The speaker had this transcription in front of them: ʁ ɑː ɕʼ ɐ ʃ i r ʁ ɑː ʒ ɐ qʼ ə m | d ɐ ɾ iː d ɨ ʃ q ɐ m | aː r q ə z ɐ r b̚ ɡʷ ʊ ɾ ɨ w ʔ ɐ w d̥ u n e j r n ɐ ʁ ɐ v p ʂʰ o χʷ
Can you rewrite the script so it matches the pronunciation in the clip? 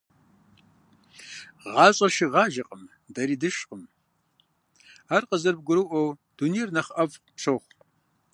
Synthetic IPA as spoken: ʁ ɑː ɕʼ ɐ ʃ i ʁ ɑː ʒ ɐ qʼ ə m | d ɐ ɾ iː d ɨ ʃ q ə m | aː r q ə z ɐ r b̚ ɡʷ ʊ ɾ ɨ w ʔ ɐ w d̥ u n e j r n ɐ χ ɐ v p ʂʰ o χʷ

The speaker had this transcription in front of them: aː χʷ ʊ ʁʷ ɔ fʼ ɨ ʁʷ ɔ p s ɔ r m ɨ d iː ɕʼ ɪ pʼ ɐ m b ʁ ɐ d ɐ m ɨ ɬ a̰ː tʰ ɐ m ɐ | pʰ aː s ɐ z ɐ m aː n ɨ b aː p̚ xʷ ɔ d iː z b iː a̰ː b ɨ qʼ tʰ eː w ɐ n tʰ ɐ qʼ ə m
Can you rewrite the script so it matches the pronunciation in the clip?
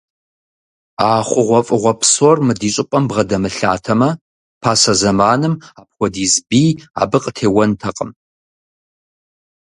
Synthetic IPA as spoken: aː χʷ ʊ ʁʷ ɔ fʼ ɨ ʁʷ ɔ p s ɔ r m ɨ d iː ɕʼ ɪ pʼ ɐ m b ʁ ɐ d ɐ m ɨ ɬ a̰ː tʰ ɐ m ɐ | pʰ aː s ɐ z ɐ m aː n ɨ m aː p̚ xʷ ɔ d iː z b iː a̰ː b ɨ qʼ tʰ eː w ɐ n tʰ ɐ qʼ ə m

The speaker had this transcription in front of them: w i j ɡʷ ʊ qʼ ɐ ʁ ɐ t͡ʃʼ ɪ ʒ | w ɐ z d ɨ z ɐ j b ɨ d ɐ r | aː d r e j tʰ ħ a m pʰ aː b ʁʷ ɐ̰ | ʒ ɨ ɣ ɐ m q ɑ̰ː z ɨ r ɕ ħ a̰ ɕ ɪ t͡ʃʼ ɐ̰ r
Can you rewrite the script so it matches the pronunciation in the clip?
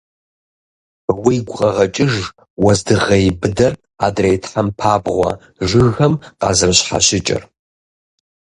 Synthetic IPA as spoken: w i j ɡʷ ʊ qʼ ɐ ʁ ɐ t͡ʃʼ ɪ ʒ | w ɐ z d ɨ ʁ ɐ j b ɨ d ɐ r | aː d r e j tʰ ħ a m pʰ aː b ʁʷ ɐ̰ | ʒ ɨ ɣ ɐ m q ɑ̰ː z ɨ r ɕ ħ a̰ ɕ ɪ t͡ʃʼ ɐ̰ r

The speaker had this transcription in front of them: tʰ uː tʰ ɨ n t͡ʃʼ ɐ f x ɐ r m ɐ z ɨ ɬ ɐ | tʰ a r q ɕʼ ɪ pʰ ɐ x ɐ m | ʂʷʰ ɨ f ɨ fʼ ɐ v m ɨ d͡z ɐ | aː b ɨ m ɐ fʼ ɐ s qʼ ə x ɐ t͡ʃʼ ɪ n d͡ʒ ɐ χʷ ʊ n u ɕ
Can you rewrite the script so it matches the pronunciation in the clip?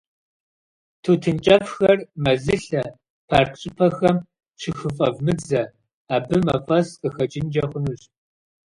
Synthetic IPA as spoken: tʰ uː tʰ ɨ n t͡ʃʼ ɐ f x ɐ r m ɐ z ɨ ɬ ɐ | pʰ a r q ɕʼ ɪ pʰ ɐ x ɐ m | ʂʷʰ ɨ x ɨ fʼ ɐ v m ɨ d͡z ɐ | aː b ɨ m ɐ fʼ ɐ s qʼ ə x ɐ t͡ʃʼ ɪ n d͡ʒ ɐ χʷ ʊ n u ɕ

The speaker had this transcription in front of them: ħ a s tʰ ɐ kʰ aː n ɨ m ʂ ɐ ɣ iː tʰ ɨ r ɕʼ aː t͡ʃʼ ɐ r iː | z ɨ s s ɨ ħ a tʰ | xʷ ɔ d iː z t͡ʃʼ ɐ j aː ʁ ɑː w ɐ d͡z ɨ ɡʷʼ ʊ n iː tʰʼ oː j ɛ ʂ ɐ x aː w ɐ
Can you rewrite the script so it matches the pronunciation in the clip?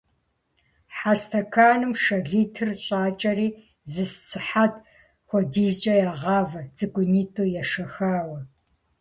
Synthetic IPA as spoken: ħ a s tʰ ɐ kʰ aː n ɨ m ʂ ɐ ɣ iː tʰ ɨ r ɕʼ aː t͡ʃʼ ɐ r iː | z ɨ s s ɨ ħ a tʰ | xʷ ɔ d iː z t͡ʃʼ ɐ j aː ʁ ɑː v ɐ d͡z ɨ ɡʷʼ ʊ n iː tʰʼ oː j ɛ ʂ ɐ x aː w ɐ

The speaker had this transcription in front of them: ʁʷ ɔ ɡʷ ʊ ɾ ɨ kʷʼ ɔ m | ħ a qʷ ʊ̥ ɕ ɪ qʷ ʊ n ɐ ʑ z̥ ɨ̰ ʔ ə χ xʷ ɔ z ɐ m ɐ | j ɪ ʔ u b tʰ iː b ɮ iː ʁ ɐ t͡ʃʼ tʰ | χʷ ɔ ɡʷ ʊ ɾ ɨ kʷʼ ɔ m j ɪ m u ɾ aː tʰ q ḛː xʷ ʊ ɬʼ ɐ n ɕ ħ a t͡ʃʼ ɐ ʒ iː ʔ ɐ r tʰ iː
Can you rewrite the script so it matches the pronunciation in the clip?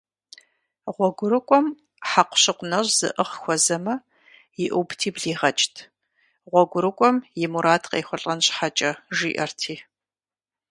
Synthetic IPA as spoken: ʁʷ ɔ ɡʷ ʊ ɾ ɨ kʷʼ ɔ m | ħ a qʷ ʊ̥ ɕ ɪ qʷ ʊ n ɐ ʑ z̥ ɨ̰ ʔ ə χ xʷ ɔ z ɐ m ɐ | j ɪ ʔ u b tʰ iː b ɮ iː ʁ ɐ t͡ʃʼ tʰ | ʁʷ ɔ ɡʷ ʊ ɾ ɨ kʷʼ ɔ m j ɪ m u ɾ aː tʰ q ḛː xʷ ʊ ɬʼ ɐ n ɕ ħ a t͡ʃʼ ɐ ʒ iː ʔ ɐ r tʰ iː

